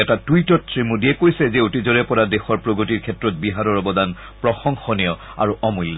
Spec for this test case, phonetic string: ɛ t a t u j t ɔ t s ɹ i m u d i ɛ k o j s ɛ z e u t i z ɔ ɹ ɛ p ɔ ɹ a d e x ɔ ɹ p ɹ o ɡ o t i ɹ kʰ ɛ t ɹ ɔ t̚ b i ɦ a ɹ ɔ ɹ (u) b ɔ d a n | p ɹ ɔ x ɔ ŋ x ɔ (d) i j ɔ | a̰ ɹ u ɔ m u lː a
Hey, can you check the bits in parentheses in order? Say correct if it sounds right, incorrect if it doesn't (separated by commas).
incorrect, incorrect